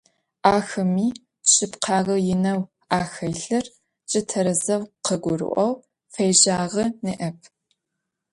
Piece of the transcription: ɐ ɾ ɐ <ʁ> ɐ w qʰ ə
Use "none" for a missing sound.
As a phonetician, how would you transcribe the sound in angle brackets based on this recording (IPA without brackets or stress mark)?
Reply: z